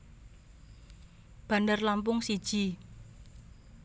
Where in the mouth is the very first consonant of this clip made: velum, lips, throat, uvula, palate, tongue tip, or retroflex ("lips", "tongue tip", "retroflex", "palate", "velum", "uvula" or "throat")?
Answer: lips